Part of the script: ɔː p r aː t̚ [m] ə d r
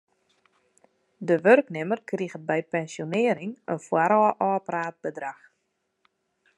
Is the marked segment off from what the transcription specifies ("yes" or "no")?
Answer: yes